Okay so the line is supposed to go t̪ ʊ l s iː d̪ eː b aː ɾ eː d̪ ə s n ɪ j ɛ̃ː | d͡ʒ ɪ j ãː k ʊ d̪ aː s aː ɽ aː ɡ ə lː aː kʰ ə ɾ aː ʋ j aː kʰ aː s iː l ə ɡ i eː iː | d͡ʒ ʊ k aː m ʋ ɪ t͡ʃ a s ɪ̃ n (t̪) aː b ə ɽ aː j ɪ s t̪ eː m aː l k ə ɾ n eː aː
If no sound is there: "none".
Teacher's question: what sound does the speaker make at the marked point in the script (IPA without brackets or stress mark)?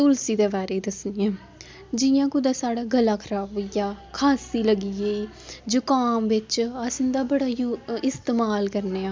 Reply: d̪